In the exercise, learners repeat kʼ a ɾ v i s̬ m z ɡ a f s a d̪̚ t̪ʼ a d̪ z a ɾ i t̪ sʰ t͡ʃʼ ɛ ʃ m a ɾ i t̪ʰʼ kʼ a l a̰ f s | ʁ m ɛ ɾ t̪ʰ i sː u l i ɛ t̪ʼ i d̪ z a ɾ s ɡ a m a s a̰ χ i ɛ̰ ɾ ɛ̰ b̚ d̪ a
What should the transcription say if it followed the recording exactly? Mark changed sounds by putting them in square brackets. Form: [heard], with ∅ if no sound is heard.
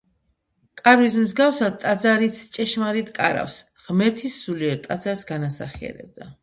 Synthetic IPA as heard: kʼ a ɾ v i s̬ m z ɡ a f s a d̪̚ t̪ʼ a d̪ z a ɾ i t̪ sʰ t͡ʃʼ ɛ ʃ m a ɾ i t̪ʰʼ kʼ a [ɾ] a̰ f s | ʁ m ɛ ɾ t̪ʰ i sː u l i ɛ t̪ʼ [a] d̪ z a ɾ s ɡ a [n] a s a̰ χ i ɛ̰ ɾ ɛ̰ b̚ d̪ a

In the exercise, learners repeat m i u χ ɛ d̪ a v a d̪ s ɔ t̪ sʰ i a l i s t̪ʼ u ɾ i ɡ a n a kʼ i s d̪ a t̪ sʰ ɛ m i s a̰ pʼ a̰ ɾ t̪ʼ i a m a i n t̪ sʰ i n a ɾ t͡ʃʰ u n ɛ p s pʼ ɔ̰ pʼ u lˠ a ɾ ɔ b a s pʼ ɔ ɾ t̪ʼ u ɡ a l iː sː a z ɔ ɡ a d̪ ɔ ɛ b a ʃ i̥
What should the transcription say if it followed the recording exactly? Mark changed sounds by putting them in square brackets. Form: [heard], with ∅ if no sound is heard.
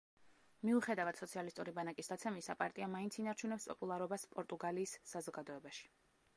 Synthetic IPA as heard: m i u χ ɛ d̪ a v a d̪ s ɔ t̪ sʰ i a l i s t̪ʼ u ɾ i [b] a n a kʼ i s d̪ a t̪ sʰ ɛ m i s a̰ pʼ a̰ ɾ t̪ʼ i a m a i n t̪ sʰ i n a ɾ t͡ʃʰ u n ɛ p s pʼ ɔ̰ pʼ u lˠ a ɾ ɔ b a s pʼ ɔ ɾ t̪ʼ u ɡ a l iː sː a z ɔ ɡ a d̪ ɔ ɛ b a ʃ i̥

